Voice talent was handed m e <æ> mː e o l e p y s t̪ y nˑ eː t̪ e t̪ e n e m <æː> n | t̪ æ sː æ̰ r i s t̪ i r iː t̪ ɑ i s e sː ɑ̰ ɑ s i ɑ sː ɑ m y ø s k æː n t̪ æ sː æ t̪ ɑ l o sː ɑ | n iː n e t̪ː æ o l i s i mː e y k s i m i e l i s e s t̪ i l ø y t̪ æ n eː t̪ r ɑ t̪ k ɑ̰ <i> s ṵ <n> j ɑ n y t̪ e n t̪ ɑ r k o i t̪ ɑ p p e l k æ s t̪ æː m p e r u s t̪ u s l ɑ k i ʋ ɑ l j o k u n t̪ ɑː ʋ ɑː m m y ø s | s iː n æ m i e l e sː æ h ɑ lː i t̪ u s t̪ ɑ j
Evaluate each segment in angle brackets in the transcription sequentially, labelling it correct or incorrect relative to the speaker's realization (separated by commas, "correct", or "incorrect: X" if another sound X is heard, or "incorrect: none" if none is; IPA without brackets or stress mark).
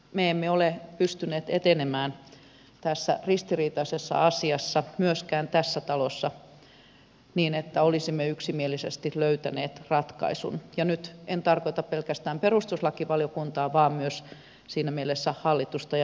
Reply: incorrect: e, correct, correct, correct